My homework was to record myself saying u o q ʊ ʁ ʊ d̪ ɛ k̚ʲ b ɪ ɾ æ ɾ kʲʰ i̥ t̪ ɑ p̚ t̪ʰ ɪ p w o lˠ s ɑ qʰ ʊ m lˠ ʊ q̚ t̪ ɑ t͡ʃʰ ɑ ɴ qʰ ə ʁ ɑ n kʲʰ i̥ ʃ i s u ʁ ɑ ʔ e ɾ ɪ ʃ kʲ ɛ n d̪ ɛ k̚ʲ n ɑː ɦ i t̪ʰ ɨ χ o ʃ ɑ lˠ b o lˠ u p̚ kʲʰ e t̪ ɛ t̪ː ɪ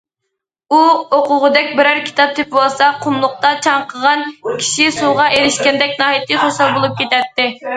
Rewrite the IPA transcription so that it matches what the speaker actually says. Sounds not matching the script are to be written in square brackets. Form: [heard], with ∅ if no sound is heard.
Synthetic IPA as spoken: u o q ʊ ʁ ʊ d̪ ɛ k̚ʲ b ɪ ɾ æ ɾ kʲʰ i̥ t̪ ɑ p̚ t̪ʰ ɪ p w o lˠ s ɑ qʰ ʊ m lˠ ʊ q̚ t̪ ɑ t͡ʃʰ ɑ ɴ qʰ ə ʁ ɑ n kʲʰ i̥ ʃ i s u ʁ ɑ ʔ e ɾ ɪ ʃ kʲ ɛ n d̪ ɛ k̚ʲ n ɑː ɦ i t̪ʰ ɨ χ o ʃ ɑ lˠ b o lˠ u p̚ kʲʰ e t̪ ɛ t̪ː ɪ